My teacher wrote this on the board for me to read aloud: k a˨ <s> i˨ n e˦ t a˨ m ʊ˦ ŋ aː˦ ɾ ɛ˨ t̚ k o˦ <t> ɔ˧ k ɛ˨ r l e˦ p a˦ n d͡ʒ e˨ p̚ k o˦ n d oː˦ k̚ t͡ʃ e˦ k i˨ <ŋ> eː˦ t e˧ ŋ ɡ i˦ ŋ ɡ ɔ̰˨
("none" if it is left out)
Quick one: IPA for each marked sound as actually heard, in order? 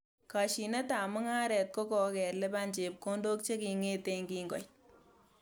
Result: ʃ, k, ŋ

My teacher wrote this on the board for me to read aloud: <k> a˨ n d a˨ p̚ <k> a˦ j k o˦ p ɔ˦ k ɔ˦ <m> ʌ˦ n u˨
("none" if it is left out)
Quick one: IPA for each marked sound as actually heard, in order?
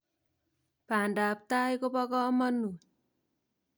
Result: p, t, m

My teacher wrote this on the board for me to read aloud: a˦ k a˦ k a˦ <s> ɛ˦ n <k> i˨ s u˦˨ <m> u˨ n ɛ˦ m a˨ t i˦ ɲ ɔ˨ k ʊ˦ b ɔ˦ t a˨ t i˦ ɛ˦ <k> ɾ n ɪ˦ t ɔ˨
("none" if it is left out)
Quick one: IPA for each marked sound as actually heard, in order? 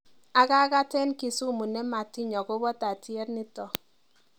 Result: t, k, m, none

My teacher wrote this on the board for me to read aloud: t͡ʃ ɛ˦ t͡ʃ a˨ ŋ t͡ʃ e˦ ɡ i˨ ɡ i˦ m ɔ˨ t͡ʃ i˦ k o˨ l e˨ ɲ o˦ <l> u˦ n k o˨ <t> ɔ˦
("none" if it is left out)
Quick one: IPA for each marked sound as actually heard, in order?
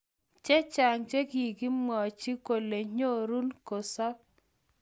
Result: ɾ, s

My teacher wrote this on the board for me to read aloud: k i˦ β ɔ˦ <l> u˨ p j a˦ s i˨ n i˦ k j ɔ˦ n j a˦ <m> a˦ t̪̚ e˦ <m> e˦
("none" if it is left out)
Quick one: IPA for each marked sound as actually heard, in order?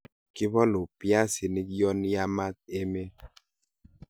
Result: l, m, m

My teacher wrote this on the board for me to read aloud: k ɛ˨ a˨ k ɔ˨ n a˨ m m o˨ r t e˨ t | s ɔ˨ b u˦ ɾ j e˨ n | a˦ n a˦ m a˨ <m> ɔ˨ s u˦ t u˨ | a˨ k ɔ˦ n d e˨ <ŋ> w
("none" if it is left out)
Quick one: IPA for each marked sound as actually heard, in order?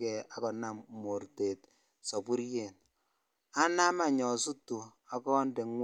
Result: ɲ, ŋ

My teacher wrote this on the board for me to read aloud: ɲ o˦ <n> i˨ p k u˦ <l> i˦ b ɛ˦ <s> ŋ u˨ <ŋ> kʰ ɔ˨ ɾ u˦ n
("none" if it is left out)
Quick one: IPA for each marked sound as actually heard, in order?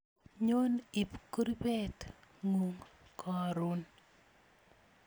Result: n, ɾ, t, ŋ

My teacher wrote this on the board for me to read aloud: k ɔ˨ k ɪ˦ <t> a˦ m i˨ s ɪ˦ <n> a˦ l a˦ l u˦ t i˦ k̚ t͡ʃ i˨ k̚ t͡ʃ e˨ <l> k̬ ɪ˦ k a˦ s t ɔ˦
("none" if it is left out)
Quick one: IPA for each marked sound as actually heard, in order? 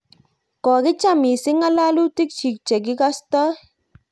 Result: t͡ʃ, ŋ, none

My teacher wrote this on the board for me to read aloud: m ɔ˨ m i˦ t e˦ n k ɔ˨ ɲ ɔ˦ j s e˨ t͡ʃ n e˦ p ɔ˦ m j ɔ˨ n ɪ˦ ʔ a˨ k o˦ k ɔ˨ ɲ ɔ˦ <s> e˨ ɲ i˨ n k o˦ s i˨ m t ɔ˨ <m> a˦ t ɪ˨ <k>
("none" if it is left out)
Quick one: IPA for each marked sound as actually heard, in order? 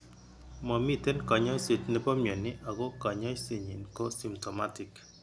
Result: s, m, k

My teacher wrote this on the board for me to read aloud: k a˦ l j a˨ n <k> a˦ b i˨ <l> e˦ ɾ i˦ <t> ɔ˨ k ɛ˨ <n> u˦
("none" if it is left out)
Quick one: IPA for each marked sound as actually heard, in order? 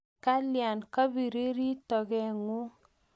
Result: k, ɾ, t, ŋ

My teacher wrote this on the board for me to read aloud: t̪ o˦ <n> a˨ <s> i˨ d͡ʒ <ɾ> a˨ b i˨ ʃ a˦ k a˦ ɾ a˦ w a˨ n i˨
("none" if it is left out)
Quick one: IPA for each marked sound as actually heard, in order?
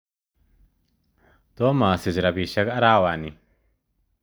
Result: m, s, ɾ

